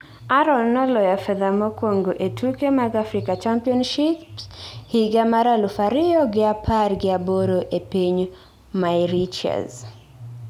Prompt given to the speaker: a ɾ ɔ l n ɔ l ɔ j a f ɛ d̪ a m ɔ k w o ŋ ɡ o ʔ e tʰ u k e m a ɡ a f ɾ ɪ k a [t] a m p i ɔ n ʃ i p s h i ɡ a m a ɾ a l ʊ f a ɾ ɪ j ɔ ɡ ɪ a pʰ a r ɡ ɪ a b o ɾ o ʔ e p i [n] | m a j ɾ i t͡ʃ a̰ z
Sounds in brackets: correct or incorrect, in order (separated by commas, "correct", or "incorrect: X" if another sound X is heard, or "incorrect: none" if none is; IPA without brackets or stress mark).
incorrect: t͡ʃ, incorrect: ɲ